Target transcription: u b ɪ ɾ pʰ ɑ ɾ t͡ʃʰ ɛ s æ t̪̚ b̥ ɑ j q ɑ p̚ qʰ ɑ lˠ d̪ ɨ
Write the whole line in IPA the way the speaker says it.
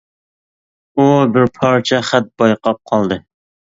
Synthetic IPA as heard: u b ɪ ɾ pʰ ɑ ɾ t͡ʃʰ ɛ χ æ t̪̚ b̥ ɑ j q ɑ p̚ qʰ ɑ lˠ d̪ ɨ

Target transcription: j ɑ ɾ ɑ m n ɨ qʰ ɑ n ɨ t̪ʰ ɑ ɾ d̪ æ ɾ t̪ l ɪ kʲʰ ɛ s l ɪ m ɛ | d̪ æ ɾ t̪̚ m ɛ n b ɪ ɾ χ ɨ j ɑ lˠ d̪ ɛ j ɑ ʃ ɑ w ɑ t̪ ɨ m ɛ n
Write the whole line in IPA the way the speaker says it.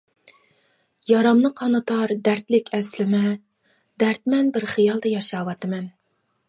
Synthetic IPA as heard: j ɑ ɾ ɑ m n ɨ qʰ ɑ n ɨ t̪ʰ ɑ ɾ d̪ æ ɾ t̪ l ɪ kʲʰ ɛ s l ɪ m ɛ | d̪ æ ɾ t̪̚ m ɛ n b ɪ ɾ χ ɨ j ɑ lˠ d̪ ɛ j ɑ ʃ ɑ w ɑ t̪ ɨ m ɛ n

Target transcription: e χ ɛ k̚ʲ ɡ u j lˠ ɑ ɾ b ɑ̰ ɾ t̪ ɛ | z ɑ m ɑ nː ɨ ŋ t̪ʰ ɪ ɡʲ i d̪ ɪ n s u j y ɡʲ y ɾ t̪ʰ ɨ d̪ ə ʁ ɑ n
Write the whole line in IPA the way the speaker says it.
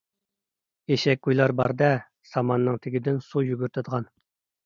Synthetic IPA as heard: e ʃ ɛ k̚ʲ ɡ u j lˠ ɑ ɾ b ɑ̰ ɾ d̪ ɛ | s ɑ m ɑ nː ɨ ŋ t̪ʰ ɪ ɡʲ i d̪ ɪ n s u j y ɡʲ y ɾ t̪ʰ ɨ d̪ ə ʁ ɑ n

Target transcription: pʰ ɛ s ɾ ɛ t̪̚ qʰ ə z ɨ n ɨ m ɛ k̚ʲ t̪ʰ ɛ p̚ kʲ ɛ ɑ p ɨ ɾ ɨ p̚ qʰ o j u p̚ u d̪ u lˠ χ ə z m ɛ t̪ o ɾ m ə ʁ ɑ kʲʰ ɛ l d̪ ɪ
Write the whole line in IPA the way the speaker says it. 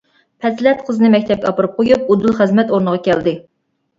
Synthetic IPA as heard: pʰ ɛ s l ɛ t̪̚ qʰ ə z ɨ n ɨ m ɛ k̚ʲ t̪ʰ ɛ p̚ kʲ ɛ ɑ p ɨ ɾ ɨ p̚ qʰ o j u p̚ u d̪ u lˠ χ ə z m ɛ t̪ o ɾ n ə ʁ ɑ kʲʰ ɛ l d̪ ɪ

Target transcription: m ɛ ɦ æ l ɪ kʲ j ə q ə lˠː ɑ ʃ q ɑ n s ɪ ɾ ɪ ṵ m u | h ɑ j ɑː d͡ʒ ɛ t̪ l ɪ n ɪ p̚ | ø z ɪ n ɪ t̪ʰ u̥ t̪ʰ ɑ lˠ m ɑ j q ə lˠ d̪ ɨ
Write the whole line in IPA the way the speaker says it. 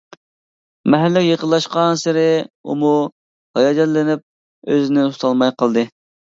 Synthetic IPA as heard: m ɛ ɦ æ lː ɪ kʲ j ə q ə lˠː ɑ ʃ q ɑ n s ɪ ɾ ɪ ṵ m u | h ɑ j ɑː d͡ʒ ɛ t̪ l ɪ n ɪ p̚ | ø z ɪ n ɪ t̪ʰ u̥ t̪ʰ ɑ lˠ m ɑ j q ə lˠ d̪ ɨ

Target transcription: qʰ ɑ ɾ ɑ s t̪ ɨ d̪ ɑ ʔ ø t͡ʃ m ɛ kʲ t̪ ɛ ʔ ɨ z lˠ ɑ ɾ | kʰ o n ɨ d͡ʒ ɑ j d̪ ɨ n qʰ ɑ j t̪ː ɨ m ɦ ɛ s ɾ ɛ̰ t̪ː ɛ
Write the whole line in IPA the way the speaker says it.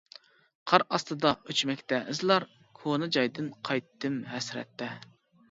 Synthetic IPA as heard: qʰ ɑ ɾ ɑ s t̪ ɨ d̪ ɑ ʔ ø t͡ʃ m ɛ kʲ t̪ ɛ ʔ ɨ z lˠ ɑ ɾ | kʰ o n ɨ d͡ʒ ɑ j d̪ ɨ n qʰ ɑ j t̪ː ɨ m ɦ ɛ s ɾ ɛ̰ t̪ː ɛ

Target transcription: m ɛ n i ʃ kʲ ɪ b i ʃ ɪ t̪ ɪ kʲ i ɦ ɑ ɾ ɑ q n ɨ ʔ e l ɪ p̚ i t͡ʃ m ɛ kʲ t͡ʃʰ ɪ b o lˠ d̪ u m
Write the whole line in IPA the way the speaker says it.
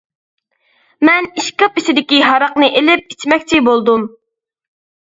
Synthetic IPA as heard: m ɛ n i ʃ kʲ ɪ p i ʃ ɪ d̪ ɪ kʲ i ɦ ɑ ɾ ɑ q n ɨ ʔ e l ɪ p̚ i t͡ʃ m ɛ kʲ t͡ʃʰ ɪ b o lˠ d̪ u m

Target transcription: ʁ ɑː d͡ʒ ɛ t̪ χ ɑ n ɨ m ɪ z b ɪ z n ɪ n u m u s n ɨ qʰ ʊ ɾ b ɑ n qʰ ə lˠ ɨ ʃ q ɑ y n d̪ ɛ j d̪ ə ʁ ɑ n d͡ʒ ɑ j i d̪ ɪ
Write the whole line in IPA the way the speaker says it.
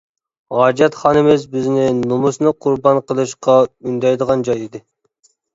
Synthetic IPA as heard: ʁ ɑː d͡ʒ ɛ t̪ χ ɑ n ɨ m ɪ z b ɪ z n ɪ n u m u s n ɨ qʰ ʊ ɾ b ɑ n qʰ ə lˠ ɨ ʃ q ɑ y n d̪ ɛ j d̪ ə ʁ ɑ n d͡ʒ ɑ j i d̪ ɪ

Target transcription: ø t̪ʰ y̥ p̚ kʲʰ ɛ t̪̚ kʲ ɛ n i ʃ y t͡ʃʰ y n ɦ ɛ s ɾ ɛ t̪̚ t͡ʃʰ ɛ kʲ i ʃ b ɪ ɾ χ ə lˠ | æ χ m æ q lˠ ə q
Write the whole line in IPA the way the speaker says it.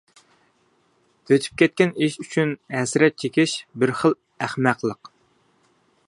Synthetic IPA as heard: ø t̪ʰ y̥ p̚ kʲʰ ɛ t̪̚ kʲ ɛ n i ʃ y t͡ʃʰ y n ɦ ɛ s ɾ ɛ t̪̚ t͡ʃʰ e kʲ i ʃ b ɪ ɾ χ ə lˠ | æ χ m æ q lˠ ə q

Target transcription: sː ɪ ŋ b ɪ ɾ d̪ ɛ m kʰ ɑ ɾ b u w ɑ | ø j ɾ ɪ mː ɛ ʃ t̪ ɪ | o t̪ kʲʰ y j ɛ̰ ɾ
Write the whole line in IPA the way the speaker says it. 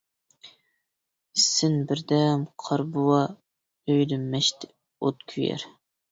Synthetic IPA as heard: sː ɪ n b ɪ ɾ d̪ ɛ m qʰ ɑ ɾ b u w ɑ | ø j l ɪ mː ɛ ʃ t̪ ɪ | o t̪ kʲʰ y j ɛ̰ ɾ

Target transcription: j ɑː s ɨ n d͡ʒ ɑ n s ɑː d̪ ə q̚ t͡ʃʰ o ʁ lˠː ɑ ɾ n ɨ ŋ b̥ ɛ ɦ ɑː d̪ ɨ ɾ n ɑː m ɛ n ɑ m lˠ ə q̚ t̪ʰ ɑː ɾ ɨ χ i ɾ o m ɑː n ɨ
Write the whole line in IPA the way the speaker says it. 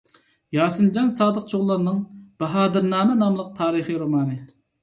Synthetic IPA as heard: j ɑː s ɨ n d͡ʒ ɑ n s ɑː d̪ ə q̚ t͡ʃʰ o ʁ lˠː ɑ ɾ n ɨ ŋ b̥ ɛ ɦ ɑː d̪ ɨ ɾ n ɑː m ɛ n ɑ m lˠ ə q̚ t̪ʰ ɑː ɾ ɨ χ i ɾ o m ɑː n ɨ

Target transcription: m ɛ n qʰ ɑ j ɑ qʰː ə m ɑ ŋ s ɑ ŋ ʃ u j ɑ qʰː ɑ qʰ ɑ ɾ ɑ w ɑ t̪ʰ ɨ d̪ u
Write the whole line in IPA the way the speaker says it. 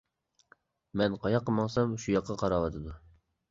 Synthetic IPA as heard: m ɛ n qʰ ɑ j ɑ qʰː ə m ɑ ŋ s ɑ m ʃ u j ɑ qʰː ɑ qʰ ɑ ɾ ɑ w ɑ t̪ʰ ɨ d̪ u

